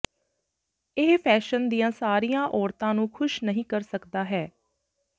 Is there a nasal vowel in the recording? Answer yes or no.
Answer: yes